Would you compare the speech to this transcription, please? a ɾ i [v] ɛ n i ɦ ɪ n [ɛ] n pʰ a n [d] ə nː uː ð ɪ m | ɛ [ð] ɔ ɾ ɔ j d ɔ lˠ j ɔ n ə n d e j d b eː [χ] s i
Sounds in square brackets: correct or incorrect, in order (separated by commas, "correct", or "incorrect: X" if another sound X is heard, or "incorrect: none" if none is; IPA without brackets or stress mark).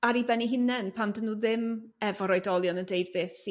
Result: incorrect: b, correct, correct, incorrect: v, incorrect: θ